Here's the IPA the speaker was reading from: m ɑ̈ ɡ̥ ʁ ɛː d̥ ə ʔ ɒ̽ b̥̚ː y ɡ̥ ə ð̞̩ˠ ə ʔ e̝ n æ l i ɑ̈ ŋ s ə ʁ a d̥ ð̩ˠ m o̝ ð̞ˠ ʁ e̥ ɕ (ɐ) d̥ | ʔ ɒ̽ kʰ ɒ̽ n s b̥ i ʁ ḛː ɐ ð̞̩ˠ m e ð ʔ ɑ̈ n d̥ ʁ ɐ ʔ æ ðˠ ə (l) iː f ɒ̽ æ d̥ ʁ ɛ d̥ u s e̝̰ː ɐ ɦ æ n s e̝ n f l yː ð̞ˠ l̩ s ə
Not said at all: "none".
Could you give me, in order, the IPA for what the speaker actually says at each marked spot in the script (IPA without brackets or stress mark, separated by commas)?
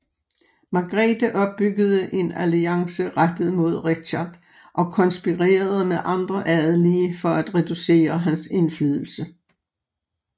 ɑ, l